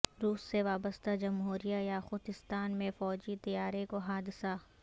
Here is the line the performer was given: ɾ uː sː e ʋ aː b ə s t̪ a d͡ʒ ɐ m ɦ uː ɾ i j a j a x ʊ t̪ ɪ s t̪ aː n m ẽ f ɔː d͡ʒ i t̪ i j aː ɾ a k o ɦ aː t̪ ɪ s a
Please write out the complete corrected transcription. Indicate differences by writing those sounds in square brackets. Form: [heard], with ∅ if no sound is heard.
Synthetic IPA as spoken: ɾ uː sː e ʋ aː b ə s t̪ a d͡ʒ ɐ m ɦ uː ɾ i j a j a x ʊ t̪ ɪ s t̪ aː n m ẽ f ɔː d͡ʒ i t̪ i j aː ɾ [e] k o ɦ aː [d̪] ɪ s a

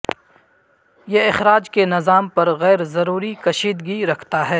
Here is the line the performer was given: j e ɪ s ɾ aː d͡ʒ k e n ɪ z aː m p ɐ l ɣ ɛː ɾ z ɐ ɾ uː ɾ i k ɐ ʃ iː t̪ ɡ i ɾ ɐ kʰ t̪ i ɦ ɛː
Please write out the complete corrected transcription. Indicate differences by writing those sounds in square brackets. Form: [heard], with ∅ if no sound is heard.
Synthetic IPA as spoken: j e ɪ [x] ɾ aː d͡ʒ k e n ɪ z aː m p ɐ [ɾ] ɣ ɛː ɾ z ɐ ɾ uː ɾ i k ɐ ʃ iː [d̪] ɡ i ɾ ɐ kʰ t̪ [a] ɦ ɛː

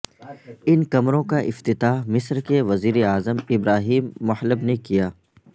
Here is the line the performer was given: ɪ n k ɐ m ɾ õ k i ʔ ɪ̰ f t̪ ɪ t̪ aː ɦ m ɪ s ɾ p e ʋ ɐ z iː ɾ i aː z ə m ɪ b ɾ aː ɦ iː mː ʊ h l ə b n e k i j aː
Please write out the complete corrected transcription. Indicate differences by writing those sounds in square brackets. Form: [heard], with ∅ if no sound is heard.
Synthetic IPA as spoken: ɪ n k ɐ m ɾ õ k [a] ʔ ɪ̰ f t̪ ɪ t̪ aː ɦ m ɪ s ɾ [k] e ʋ ɐ z iː ɾ [e] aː z ə m ɪ b ɾ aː ɦ iː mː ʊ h l ə b n e k i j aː

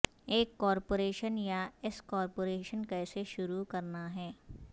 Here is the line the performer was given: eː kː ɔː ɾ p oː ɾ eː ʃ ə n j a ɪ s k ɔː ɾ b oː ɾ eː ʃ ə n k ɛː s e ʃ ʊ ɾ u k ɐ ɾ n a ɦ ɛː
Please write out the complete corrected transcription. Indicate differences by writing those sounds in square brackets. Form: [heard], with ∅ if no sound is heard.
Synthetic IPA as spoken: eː kː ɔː ɾ p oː ɾ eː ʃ ə n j a ɪ s k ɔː ɾ [p] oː ɾ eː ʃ ə n k ɛː s e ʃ ʊ ɾ u k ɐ ɾ n a ɦ ɛː

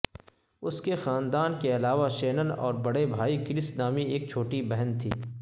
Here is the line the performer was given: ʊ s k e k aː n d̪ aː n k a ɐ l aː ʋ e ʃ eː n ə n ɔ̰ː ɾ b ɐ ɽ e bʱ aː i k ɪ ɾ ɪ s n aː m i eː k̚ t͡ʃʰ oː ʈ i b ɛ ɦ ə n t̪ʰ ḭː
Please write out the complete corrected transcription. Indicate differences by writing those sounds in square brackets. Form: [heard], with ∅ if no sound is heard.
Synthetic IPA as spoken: ʊ s k e [x] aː n d̪ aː n k [e] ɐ l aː ʋ [a] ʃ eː n ə n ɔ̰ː ɾ b ɐ ɽ e bʱ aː i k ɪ ɾ ɪ s n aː m i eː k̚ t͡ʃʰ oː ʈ i b ɛ ɦ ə n t̪ʰ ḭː

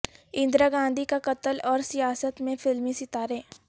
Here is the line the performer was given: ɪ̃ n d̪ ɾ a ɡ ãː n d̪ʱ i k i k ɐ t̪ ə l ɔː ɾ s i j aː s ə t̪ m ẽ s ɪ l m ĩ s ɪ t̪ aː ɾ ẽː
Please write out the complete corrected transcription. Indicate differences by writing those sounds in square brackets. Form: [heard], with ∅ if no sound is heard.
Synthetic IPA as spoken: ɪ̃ n d̪ ɾ a ɡ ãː n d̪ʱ i k [a] k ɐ t̪ ə l ɔː ɾ s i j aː s ə t̪ m ẽ [f] ɪ l m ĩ s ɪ t̪ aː ɾ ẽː

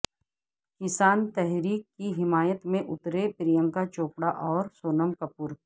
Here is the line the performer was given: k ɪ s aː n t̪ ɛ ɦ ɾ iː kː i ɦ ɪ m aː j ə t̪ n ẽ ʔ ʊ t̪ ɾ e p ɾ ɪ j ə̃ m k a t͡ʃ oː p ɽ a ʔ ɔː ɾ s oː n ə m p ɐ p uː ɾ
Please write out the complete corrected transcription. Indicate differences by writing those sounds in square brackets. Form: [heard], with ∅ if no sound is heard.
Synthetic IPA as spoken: k ɪ s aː n t̪ ɛ ɦ ɾ iː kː i ɦ ɪ m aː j ə t̪ [m] ẽ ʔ ʊ t̪ ɾ e p ɾ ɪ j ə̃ [ŋ] k a t͡ʃ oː p ɽ a ʔ ɔː ɾ s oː n ə m [k] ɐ p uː ɾ

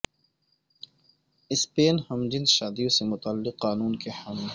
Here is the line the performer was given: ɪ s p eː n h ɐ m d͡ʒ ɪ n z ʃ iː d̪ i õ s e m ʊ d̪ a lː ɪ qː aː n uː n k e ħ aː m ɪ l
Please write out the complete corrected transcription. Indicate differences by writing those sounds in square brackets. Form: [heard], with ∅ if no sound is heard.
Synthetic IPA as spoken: ɪ s p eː n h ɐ m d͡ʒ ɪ n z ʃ [aː] d̪ i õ s e m ʊ [t̪] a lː ɪ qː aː n uː n k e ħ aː m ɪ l

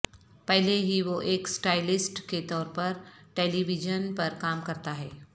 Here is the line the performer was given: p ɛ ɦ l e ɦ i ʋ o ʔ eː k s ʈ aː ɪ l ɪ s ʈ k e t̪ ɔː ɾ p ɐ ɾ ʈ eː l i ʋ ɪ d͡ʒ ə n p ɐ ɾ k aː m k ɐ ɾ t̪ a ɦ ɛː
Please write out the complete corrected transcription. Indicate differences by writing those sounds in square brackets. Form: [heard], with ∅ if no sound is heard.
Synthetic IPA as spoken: p ɛ ɦ l e ɦ i ʋ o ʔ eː k s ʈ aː ɪ l ɪ s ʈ k e t̪ ɔː ɾ p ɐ ɾ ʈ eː l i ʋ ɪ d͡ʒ ə n p ɐ ɾ k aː m k ɐ ɾ t̪ a ɦ ɛː

